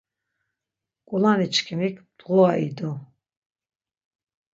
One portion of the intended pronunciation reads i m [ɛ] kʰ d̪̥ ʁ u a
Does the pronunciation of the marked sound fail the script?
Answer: yes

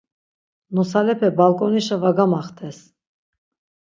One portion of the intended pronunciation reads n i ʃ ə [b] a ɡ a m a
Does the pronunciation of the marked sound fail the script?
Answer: yes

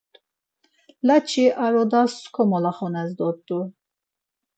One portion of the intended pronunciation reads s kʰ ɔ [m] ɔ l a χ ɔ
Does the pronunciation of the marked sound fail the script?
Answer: no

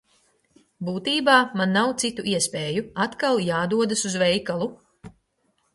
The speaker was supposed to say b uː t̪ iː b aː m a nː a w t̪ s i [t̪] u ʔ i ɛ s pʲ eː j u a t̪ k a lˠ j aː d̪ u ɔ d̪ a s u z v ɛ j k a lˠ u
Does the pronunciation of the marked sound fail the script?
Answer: no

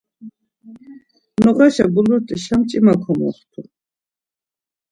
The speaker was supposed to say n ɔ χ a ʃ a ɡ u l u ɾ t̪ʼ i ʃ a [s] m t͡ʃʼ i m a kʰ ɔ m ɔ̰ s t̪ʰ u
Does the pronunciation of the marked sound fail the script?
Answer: yes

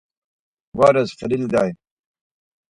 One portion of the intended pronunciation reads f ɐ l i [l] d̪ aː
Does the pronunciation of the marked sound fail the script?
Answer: no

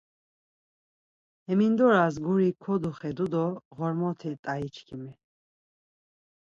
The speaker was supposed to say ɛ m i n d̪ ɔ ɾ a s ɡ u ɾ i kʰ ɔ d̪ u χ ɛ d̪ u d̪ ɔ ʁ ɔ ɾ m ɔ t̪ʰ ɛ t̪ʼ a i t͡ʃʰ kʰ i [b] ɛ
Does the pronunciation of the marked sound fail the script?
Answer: yes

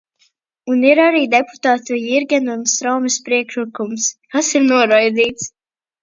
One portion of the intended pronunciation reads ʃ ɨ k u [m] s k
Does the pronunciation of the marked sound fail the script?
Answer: no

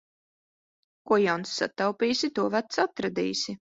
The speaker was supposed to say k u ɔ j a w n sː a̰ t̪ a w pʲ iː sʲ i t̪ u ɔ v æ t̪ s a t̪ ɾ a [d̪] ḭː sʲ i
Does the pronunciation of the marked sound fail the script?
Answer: no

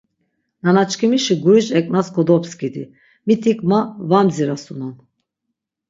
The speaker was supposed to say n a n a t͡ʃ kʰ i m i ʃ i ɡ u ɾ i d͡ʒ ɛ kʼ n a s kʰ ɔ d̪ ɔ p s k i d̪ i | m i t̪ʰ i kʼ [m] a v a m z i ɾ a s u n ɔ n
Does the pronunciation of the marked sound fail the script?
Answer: no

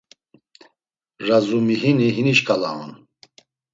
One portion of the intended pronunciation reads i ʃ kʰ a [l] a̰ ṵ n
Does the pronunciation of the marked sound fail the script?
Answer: no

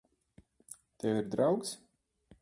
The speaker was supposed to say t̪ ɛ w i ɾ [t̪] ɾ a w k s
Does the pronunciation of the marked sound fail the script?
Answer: yes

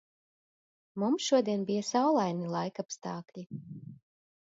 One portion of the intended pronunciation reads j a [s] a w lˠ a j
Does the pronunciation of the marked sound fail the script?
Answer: no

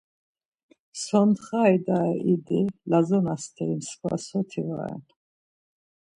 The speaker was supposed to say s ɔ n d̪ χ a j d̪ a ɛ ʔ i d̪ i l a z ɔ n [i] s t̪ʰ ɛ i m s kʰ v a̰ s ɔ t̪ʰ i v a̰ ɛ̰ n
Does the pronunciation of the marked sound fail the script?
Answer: yes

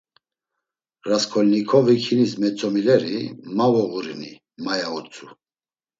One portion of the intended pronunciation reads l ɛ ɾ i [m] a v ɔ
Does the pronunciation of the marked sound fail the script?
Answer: no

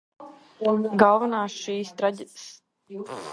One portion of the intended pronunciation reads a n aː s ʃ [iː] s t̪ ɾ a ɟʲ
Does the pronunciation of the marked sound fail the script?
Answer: no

